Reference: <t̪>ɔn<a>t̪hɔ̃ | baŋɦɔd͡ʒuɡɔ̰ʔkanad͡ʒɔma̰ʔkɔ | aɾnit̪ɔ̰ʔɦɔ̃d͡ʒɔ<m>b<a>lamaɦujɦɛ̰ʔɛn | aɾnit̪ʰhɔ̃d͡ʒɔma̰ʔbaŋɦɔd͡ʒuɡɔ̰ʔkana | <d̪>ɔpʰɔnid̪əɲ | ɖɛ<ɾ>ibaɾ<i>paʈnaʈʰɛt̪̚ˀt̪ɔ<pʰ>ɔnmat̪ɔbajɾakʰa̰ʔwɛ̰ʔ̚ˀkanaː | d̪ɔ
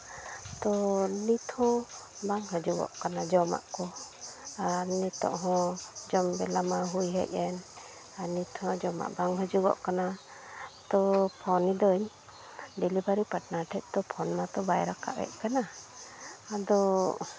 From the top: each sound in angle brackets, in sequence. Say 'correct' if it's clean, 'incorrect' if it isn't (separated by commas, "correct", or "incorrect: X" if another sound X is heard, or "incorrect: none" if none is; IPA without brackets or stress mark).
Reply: correct, incorrect: i, correct, incorrect: ɛ, incorrect: t̪, incorrect: l, correct, correct